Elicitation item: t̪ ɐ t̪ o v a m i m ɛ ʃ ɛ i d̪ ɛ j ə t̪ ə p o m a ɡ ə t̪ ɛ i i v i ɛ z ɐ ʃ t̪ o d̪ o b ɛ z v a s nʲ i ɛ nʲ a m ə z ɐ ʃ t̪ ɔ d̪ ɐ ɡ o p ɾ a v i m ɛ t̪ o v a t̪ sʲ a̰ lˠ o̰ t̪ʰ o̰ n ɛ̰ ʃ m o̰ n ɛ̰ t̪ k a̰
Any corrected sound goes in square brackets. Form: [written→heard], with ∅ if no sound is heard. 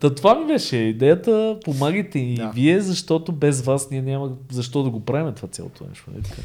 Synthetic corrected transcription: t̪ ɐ t̪ o v a m i [m→b] ɛ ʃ ɛ i d̪ ɛ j ə t̪ ə p o m a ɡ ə t̪ ɛ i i v i ɛ z ɐ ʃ t̪ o [d̪→t̪] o b ɛ z v a s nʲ i ɛ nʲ a m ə z ɐ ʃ t̪ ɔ d̪ ɐ ɡ o p ɾ a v i m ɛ t̪ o v a t̪ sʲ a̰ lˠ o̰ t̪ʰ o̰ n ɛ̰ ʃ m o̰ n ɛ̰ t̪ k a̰